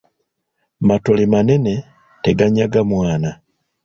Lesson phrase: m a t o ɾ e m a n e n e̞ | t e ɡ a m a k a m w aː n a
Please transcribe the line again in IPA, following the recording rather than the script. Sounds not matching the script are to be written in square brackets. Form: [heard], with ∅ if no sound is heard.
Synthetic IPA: m a t o [l] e m a n e n e̞ | t e ɡ a [ɲ] a [ɡ] a m w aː n a